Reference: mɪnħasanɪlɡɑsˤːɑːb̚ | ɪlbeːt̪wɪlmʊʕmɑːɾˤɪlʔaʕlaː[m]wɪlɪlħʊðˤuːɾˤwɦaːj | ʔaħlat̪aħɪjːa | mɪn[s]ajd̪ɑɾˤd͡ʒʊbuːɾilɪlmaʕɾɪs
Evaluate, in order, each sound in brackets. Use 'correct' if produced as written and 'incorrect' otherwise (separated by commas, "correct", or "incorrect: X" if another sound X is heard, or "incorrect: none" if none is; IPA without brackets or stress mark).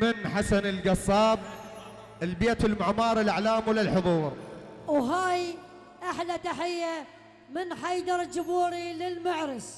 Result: correct, incorrect: ħ